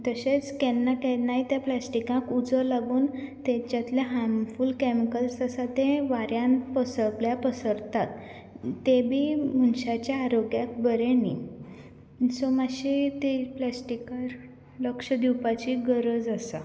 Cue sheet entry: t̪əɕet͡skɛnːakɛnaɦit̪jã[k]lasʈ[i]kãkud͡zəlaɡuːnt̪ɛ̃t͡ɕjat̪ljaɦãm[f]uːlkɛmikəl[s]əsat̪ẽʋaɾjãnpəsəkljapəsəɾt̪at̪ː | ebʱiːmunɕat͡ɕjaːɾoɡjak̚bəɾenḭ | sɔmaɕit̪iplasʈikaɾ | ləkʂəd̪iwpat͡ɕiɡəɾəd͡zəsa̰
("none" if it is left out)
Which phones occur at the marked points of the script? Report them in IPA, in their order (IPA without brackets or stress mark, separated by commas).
p, i, f, s